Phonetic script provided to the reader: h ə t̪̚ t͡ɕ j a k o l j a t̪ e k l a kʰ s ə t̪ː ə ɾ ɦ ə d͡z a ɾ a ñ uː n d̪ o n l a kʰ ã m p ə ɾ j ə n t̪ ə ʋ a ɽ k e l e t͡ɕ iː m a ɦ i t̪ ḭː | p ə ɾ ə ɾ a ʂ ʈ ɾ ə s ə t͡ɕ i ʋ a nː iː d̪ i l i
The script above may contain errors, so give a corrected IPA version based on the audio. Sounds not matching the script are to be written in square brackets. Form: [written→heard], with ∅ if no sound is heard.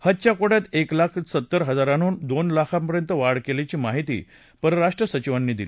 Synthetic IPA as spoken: h ə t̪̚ t͡ɕ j a k o [l→ɽ] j a t̪ e k l a kʰ s ə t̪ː ə ɾ ɦ ə d͡z a ɾ a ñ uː n d̪ o n l a kʰ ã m p ə ɾ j ə n t̪ ə ʋ a ɽ k e l e t͡ɕ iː m a ɦ i t̪ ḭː | p ə ɾ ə ɾ a ʂ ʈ ɾ ə s ə t͡ɕ i ʋ a nː iː d̪ i l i